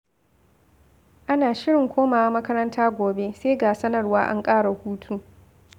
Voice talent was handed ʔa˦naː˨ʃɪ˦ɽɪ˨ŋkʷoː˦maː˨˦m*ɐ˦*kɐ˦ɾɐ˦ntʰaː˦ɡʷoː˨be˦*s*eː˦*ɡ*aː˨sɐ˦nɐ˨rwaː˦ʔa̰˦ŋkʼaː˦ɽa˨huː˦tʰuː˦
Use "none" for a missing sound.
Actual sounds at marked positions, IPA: ɐ˦, s, ɡ

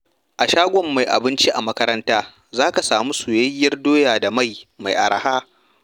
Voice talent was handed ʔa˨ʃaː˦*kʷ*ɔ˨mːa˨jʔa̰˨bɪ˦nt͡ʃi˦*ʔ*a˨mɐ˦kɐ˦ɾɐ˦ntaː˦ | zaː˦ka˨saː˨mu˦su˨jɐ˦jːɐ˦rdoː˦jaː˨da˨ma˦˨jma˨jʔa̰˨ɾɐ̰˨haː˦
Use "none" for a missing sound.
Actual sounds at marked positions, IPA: ɡʷ, ʔ

